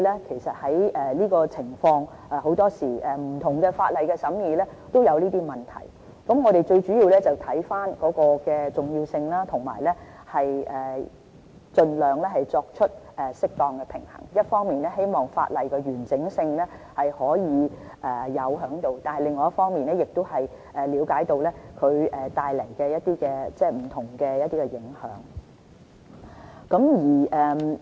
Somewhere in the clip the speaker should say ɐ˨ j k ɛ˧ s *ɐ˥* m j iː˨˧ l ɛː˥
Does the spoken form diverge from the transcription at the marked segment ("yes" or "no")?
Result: yes